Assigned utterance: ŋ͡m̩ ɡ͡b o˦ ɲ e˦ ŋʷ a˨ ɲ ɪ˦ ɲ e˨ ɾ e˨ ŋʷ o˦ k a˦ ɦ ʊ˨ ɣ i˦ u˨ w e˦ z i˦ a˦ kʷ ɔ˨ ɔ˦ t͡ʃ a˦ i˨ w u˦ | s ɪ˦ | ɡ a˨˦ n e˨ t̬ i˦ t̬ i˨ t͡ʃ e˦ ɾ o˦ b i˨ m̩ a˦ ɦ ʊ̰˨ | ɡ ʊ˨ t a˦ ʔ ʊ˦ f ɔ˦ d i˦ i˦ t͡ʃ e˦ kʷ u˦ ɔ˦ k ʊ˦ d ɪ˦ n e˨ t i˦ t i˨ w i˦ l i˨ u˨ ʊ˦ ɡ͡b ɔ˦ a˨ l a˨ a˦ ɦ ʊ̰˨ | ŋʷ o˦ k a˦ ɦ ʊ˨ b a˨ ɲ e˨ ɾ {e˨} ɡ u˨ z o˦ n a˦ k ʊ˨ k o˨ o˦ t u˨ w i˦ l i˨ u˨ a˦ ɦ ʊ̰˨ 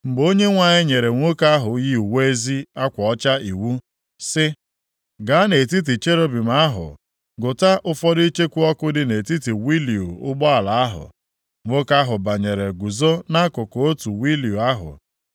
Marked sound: correct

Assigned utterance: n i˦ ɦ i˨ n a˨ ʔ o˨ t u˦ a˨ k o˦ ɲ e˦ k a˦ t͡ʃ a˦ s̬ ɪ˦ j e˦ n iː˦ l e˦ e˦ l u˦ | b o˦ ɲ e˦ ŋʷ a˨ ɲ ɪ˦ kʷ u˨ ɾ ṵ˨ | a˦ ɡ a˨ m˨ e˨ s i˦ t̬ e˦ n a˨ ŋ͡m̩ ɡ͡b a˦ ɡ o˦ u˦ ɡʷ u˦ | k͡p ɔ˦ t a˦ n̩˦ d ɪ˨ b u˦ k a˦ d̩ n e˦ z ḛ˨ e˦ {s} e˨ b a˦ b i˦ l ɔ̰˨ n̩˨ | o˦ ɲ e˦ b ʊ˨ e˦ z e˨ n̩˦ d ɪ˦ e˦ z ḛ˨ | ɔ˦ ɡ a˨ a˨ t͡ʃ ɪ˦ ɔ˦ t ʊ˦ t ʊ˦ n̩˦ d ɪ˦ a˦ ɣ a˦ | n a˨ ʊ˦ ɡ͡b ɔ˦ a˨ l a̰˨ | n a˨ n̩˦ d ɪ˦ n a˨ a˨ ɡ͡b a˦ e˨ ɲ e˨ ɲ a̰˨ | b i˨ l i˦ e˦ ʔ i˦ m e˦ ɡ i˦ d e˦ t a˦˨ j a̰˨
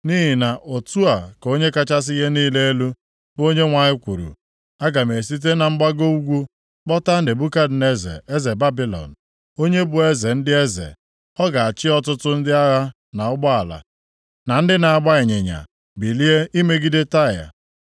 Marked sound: incorrect: z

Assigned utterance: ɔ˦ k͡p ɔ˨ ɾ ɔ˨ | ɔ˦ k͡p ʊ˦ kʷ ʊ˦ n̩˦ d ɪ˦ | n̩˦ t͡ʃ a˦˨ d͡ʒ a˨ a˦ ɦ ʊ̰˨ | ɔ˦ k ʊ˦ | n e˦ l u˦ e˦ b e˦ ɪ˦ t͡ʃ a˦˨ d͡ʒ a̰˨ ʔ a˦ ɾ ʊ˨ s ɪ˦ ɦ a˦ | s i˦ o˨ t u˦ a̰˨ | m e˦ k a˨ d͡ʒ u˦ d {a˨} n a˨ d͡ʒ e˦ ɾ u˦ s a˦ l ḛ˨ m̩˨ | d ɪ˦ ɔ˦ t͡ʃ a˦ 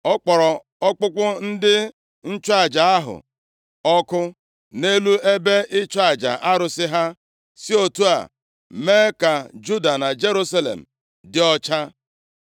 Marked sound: correct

